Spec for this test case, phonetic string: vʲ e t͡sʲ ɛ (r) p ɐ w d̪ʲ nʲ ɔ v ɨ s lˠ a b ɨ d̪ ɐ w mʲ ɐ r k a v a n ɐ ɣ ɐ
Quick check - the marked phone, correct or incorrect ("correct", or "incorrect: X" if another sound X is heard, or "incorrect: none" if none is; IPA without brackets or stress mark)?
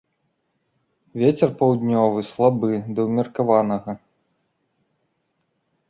correct